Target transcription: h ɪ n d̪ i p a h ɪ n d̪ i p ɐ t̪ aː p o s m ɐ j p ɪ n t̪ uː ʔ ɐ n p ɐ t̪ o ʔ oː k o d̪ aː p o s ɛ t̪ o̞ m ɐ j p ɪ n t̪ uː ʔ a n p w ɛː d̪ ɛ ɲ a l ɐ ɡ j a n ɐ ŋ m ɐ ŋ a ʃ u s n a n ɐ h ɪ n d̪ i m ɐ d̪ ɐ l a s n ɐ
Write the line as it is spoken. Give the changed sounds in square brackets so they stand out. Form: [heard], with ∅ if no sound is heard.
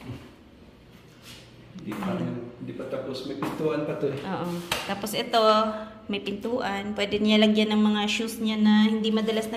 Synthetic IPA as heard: h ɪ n d̪ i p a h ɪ n d̪ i p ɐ t̪ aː p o s m ɐ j p ɪ n t̪ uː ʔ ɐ n p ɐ t̪ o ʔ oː [ʔ] o [t̪] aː p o s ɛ t̪ o̞ m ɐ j p ɪ n t̪ uː ʔ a n p w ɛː d̪ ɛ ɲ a l ɐ ɡ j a n ɐ ŋ m ɐ ŋ a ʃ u s [ɲ] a n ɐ h ɪ n d̪ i m ɐ d̪ ɐ l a s n ɐ